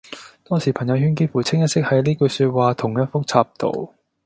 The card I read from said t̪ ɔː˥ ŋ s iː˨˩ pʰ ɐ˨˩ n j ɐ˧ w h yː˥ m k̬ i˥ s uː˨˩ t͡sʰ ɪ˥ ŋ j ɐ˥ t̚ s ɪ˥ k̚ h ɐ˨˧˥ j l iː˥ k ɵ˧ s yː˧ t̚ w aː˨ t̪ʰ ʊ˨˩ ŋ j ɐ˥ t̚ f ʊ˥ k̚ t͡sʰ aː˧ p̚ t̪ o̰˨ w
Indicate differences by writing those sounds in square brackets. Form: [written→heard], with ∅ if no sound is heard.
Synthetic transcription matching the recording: t̪ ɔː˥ ŋ s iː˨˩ pʰ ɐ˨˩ [n→ŋ] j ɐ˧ w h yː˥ [m→n] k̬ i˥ [s→f] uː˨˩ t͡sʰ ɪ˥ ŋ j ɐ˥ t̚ s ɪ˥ k̚ h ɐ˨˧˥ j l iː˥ k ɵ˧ s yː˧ t̚ w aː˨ t̪ʰ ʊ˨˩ ŋ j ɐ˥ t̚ f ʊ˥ k̚ t͡sʰ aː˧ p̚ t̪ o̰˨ w